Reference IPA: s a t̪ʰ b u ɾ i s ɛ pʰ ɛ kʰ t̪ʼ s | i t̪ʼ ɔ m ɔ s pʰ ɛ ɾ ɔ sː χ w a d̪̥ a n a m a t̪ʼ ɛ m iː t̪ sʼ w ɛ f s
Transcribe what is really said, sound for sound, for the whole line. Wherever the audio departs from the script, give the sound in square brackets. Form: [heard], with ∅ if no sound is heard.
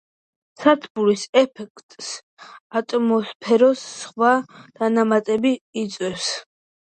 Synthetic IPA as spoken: s a t̪ʰ b u ɾ i s ɛ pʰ ɛ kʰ t̪ʼ s | [a] t̪ʼ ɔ m ɔ s pʰ ɛ ɾ ɔ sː χ w a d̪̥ a n a m a t̪ʼ ɛ [b] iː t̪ sʼ w ɛ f s

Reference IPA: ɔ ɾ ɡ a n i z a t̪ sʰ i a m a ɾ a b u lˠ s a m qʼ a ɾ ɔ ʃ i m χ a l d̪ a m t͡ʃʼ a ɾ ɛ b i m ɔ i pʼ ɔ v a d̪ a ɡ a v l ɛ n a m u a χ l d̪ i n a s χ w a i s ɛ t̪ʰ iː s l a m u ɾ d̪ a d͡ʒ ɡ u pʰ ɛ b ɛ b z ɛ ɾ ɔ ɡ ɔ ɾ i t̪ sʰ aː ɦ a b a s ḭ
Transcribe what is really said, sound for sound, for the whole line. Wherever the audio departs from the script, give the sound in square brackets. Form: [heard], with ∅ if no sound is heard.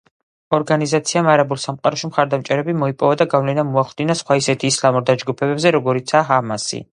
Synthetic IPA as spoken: ɔ ɾ ɡ a n i z a t̪ sʰ i a m a ɾ a b u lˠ s a m qʼ a ɾ ɔ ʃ i m χ a [ɾ] d̪ a m t͡ʃʼ [ɛ] ɾ ɛ b i m ɔ i pʼ ɔ v a d̪ a ɡ a v l ɛ n a m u a χ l d̪ i n a s χ w a i s ɛ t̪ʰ iː s l a m u ɾ d̪ a d͡ʒ ɡ u pʰ ɛ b ɛ b z ɛ ɾ ɔ ɡ ɔ ɾ i t̪ sʰ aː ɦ a [m] a s ḭ

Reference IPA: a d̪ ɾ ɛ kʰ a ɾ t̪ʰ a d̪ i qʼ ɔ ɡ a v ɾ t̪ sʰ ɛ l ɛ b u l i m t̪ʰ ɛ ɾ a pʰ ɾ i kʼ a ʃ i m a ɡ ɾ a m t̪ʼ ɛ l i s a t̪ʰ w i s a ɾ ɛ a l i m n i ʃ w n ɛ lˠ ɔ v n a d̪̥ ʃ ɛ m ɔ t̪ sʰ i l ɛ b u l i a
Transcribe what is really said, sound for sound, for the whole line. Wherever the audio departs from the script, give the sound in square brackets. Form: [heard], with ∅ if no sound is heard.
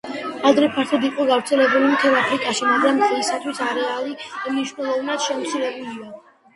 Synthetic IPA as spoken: a d̪ ɾ ɛ [pʰ] a ɾ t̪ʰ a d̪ i qʼ ɔ ɡ a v ɾ t̪ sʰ ɛ l ɛ b u l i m t̪ʰ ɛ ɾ a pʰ ɾ i kʼ a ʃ i m a ɡ ɾ a m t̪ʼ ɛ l i s a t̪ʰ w i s a ɾ ɛ a l i m n i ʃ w n ɛ lˠ ɔ v n a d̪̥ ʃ ɛ m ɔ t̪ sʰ i l ɛ b u l i a

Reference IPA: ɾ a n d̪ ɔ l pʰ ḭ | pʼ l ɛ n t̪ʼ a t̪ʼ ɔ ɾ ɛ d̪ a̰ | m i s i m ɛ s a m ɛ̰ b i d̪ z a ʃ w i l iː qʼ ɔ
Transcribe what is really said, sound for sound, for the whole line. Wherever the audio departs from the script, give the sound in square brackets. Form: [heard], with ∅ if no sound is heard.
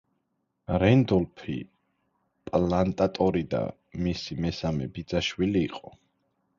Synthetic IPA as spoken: ɾ [ɛ] n d̪ ɔ l pʰ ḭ | pʼ l [a] n t̪ʼ a t̪ʼ ɔ ɾ [i] d̪ a̰ | m i s i m ɛ s a m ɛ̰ b i d̪ z a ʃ w i l iː qʼ ɔ

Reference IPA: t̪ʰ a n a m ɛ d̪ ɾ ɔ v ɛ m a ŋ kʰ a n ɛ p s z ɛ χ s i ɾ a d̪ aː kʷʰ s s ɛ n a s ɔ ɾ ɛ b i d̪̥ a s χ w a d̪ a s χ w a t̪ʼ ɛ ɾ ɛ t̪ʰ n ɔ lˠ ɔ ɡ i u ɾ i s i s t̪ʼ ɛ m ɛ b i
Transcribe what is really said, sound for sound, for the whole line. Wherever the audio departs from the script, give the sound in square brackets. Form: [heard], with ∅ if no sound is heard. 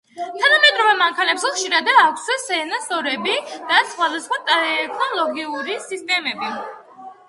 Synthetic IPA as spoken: t̪ʰ a n a m ɛ d̪ ɾ ɔ v ɛ m a ŋ kʰ a n ɛ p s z ɛ χ [ʃ] i ɾ a d̪ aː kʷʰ s s ɛ n a s ɔ ɾ ɛ b i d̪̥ a s χ w a d̪ a s χ w a t̪ʼ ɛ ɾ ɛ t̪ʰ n ɔ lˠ ɔ ɡ i u ɾ i s i s t̪ʼ ɛ m ɛ b i

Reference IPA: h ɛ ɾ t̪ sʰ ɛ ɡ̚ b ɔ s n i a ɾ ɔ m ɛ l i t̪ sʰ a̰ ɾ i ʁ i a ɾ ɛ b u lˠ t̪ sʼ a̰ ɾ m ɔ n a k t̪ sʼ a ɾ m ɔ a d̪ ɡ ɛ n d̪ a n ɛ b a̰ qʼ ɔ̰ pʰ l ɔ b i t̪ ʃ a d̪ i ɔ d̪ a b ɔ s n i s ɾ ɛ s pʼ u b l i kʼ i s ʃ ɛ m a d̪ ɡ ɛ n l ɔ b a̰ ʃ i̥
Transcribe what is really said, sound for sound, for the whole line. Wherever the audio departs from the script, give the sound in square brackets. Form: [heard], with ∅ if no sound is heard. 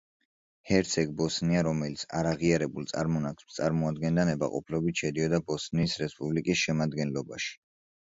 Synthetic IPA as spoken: h ɛ ɾ t̪ sʰ ɛ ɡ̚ b ɔ s n i a ɾ ɔ m ɛ l i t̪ sʰ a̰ ɾ [a] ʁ i a ɾ ɛ b u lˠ t̪ sʼ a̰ ɾ m ɔ n a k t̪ sʼ a ɾ m ɔ a d̪ ɡ ɛ n d̪ a n ɛ b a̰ qʼ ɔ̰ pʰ l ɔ b i t̪ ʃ [ɛ] d̪ i ɔ d̪ a b ɔ s n i s ɾ ɛ s pʼ u b l i kʼ i s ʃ ɛ m a d̪ ɡ ɛ n l ɔ b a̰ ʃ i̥

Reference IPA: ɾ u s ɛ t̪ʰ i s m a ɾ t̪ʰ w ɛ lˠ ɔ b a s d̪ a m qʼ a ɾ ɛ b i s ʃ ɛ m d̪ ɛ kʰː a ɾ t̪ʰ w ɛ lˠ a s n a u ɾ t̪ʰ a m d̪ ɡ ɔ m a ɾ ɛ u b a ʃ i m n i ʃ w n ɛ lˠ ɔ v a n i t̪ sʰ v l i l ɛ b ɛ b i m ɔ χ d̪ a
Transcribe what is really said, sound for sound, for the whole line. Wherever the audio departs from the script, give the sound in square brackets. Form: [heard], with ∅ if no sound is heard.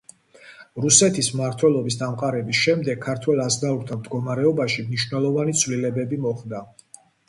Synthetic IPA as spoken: ɾ u s ɛ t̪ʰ i s m a ɾ t̪ʰ w ɛ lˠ ɔ b [i] s d̪ a m qʼ a ɾ ɛ b i s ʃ ɛ m d̪ ɛ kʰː a ɾ t̪ʰ w ɛ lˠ a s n a u ɾ t̪ʰ a m d̪ ɡ ɔ m a ɾ ɛ [ɔ] b a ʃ i m n i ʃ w n ɛ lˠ ɔ v a n i t̪ sʰ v l i l ɛ b ɛ b i m ɔ χ d̪ a

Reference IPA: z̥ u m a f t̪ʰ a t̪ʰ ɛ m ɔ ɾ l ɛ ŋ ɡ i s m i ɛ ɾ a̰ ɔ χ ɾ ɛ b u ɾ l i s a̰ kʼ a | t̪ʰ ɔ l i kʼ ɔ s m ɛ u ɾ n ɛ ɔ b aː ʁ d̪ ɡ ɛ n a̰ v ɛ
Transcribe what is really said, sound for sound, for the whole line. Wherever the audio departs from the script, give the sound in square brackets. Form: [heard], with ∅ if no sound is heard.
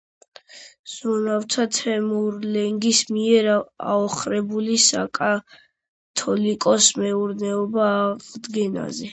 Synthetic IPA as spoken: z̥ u [n] a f t̪ʰ a t̪ʰ ɛ m [u] ɾ l ɛ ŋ ɡ i s m i ɛ ɾ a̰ ɔ χ ɾ ɛ b u [∅] l i s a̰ kʼ a | t̪ʰ ɔ l i kʼ ɔ s m ɛ u ɾ n ɛ ɔ b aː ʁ d̪ ɡ ɛ n a̰ [z] ɛ

